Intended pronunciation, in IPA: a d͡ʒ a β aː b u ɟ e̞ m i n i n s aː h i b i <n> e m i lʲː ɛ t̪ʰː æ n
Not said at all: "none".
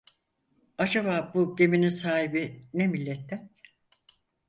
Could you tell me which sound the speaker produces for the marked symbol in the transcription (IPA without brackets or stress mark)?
n